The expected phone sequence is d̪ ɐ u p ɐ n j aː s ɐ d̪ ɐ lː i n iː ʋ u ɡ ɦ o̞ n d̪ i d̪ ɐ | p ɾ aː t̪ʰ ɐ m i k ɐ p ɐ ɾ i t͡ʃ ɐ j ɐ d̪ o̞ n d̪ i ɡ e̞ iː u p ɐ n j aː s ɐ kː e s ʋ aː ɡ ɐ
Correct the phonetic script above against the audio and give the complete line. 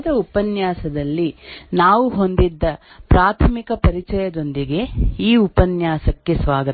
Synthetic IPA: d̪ ɐ u p ɐ n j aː s ɐ d̪ ɐ lː i n aː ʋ u ɦ o̞ n d̪ i d̪ː ɐ | p ɾ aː t̪ʰ ɐ m i k ɐ p ɐ ɾ i t͡ʃ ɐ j ɐ d̪ o̞ n d̪ i ɡ e̞ iː u p ɐ n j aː s ɐ kː e s ʋ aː ɡ ɐ